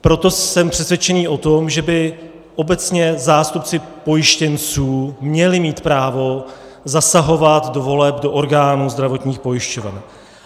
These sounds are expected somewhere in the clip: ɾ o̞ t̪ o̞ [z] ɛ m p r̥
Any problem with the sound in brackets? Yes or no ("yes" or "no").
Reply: yes